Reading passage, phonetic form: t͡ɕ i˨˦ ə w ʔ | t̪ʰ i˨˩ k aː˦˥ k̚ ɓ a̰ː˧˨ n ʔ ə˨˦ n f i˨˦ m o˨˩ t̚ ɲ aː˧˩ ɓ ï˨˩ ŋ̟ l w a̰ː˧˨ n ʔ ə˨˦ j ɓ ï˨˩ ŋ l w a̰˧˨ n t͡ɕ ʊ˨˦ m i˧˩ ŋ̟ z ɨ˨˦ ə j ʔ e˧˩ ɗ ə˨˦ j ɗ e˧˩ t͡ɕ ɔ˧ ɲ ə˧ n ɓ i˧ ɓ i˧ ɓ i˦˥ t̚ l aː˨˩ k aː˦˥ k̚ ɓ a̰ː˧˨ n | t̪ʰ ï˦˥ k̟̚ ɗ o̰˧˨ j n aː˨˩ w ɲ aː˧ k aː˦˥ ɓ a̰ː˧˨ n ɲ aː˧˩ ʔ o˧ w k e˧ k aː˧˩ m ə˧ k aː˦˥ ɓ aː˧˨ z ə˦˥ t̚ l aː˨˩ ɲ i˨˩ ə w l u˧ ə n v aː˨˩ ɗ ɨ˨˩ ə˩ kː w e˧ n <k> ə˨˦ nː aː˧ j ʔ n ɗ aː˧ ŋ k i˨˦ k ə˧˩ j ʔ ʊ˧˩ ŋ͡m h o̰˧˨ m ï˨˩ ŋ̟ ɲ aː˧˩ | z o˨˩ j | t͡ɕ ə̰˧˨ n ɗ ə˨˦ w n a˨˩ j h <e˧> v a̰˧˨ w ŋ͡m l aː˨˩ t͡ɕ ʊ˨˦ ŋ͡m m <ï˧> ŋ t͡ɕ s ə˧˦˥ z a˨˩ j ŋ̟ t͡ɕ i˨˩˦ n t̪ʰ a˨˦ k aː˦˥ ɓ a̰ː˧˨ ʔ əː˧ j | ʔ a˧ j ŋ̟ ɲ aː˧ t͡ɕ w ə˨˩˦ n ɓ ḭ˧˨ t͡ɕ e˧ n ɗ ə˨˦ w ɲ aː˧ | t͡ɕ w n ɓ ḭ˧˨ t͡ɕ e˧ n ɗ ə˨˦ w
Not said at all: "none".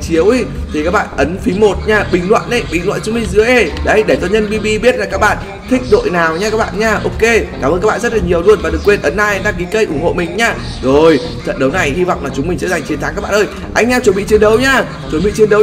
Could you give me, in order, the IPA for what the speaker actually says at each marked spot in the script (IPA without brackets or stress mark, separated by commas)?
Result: ʔ, i˧, ï˨˩